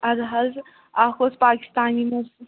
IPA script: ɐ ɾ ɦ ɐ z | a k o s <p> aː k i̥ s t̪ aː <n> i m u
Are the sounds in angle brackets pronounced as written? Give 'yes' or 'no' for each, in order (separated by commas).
yes, yes